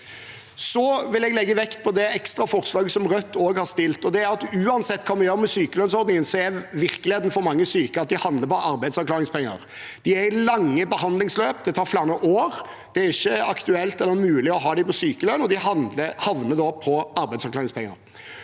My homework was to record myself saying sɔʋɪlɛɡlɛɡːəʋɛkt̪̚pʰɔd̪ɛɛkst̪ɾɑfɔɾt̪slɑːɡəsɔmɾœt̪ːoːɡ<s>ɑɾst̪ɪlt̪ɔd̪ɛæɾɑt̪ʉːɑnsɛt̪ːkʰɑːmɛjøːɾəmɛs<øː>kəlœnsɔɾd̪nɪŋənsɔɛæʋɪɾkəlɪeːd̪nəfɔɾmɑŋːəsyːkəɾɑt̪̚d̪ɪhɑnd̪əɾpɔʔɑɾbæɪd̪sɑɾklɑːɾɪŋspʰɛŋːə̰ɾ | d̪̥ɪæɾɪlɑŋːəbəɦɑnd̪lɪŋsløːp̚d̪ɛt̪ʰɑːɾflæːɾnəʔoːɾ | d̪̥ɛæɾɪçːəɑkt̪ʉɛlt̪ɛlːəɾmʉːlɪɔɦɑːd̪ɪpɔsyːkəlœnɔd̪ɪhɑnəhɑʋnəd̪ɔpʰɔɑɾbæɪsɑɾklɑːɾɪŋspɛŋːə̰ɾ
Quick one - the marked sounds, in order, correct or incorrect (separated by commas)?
incorrect, incorrect